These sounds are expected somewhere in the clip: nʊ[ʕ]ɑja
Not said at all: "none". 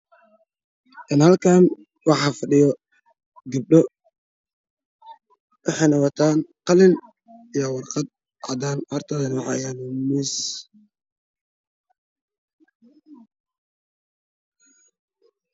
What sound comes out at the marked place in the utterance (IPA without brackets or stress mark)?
ʕ